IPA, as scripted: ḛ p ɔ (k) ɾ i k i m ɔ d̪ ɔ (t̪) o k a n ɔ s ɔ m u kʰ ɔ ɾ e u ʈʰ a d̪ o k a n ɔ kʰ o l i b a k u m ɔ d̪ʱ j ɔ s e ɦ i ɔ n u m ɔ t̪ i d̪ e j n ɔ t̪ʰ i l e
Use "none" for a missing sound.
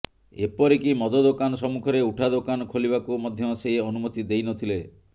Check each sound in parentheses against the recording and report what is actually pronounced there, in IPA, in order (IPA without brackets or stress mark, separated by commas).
none, d̪